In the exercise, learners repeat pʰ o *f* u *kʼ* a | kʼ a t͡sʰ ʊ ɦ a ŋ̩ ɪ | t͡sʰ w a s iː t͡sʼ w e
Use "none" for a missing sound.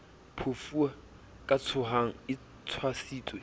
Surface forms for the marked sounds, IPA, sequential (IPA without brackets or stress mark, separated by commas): f, none